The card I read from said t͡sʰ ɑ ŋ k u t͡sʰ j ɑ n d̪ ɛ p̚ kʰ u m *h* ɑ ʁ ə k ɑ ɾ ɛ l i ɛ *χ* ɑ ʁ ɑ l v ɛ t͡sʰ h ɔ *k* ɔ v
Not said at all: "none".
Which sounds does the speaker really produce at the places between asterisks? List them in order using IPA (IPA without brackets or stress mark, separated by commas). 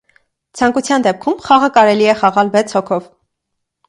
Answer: χ, χ, kʰ